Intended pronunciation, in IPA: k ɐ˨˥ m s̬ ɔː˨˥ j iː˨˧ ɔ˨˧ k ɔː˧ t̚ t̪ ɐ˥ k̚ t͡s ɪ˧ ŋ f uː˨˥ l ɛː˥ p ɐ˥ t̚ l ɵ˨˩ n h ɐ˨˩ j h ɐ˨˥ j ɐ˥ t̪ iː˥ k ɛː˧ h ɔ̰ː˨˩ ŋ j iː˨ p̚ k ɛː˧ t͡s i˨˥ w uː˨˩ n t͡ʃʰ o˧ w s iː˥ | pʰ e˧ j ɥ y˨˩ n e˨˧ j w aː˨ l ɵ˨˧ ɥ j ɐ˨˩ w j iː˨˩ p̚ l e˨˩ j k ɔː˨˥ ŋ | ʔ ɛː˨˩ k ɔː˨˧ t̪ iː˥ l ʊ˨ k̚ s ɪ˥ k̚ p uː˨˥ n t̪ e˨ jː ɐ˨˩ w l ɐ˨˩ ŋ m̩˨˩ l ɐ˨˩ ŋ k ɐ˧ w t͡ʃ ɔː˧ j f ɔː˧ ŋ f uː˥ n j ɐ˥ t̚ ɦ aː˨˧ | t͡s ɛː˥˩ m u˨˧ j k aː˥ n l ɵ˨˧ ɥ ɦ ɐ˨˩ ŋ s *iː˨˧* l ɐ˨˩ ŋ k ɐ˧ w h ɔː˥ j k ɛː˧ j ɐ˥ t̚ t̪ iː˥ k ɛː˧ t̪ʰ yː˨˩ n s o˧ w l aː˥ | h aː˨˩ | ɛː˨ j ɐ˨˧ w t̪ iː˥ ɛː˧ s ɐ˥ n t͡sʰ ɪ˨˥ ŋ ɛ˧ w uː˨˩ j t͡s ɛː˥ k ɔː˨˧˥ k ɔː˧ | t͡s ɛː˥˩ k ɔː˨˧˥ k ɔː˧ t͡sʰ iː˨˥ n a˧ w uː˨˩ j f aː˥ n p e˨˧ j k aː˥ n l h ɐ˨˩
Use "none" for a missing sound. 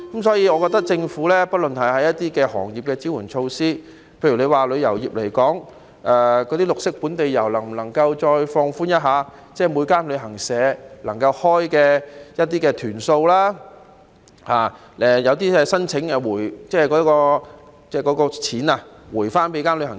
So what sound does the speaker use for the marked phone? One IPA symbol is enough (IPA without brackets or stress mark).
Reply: ɛː˨˧